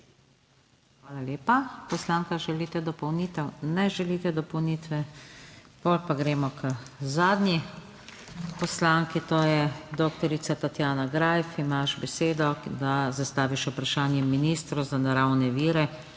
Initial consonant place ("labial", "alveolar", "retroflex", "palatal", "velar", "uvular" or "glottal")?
velar